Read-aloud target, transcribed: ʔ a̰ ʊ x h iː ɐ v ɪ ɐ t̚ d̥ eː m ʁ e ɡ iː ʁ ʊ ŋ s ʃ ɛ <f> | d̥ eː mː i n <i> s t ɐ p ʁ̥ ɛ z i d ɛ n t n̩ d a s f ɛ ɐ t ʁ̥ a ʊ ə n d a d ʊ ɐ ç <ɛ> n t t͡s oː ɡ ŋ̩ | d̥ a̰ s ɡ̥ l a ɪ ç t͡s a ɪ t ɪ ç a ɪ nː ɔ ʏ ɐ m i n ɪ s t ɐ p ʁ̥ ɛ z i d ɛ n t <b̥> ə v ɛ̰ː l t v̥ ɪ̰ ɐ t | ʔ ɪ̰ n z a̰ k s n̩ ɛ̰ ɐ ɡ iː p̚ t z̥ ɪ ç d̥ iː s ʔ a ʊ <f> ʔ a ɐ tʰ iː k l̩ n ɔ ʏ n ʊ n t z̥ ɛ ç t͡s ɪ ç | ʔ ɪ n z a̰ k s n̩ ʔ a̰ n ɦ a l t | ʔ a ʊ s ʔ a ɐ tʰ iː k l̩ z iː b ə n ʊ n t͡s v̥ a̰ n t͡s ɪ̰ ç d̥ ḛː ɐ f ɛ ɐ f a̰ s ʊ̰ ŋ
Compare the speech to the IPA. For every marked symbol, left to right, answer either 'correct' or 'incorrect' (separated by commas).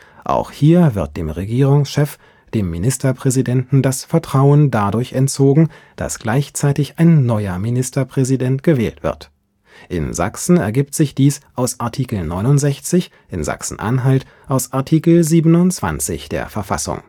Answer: correct, incorrect, correct, incorrect, incorrect